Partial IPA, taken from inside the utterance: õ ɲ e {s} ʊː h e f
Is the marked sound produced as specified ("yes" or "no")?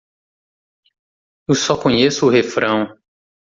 yes